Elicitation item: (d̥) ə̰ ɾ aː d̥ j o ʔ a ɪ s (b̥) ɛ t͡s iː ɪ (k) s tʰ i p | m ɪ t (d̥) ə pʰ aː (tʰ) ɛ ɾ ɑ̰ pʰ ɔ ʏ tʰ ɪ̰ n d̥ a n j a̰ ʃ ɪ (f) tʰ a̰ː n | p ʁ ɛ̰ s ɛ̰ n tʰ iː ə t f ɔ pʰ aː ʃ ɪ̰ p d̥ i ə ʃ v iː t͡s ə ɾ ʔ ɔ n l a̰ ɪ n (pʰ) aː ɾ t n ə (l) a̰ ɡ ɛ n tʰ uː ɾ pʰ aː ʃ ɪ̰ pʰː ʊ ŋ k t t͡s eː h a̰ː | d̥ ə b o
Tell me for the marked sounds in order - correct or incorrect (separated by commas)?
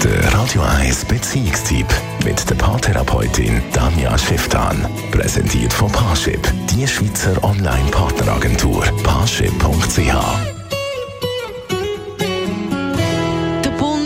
correct, correct, correct, correct, correct, correct, correct, incorrect